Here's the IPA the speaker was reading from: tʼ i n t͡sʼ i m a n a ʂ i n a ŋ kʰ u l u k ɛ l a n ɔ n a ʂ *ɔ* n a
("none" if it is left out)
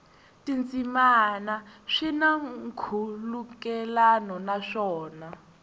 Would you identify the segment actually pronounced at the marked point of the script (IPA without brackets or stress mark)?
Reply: ɔː